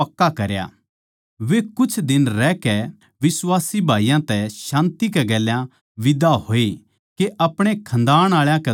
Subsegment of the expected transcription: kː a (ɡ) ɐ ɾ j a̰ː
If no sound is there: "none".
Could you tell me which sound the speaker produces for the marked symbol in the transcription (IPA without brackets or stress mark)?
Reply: k